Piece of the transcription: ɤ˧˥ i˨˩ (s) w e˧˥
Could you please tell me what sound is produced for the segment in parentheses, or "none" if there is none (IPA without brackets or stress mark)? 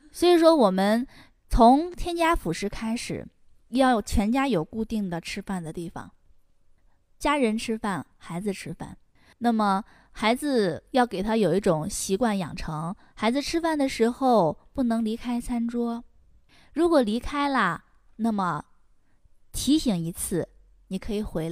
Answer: x